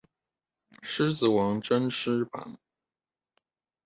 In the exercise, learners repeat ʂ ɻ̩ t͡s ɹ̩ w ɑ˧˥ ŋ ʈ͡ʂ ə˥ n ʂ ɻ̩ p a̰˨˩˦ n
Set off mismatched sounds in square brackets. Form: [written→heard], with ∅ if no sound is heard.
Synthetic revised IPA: ʂ ɻ̩ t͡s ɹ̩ w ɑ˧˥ ŋ ʈ͡ʂ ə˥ n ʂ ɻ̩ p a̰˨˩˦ n